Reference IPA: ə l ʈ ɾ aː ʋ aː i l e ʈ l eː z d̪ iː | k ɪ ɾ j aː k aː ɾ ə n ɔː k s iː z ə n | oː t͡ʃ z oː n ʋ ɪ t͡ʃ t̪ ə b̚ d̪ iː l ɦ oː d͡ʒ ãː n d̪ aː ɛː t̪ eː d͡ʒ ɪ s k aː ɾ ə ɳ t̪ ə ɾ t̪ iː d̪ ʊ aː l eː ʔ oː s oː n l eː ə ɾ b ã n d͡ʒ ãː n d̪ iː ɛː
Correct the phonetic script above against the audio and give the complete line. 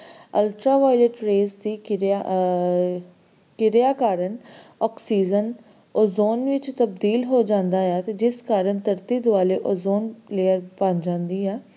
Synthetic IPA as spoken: ə l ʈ ɾ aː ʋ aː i l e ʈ ɾ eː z d̪ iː | k ɪ ɾ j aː k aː ɾ ə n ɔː k s iː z ə n | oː z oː n ʋ ɪ t͡ʃ t̪ ə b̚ d̪ iː l ɦ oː d͡ʒ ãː n d̪ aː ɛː t̪ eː d͡ʒ ɪ s k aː ɾ ə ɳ t̪ ə ɾ t̪ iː d̪ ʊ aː l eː ʔ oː z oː n l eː ə ɾ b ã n d͡ʒ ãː n d̪ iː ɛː